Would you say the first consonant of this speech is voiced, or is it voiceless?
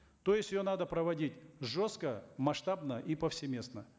voiceless